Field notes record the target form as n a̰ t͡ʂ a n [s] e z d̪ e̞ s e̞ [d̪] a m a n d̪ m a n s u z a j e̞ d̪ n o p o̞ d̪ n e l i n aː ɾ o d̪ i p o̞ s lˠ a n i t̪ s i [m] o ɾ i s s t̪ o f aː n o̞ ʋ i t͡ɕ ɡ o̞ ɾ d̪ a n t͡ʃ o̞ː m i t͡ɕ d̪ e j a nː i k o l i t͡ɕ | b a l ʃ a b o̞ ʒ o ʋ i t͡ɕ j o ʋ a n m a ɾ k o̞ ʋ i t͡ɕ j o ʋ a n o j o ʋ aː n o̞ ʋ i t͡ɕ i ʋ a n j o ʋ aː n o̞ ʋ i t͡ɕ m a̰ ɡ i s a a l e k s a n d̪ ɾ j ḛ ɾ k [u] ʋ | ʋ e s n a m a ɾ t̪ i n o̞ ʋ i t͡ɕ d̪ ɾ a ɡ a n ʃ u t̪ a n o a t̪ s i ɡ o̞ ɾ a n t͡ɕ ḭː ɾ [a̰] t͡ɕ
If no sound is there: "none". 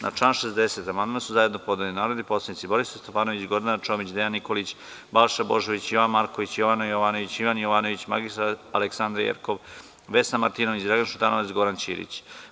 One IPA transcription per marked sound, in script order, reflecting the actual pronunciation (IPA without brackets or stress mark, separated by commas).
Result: ʃ, t̪, b, o, ḭ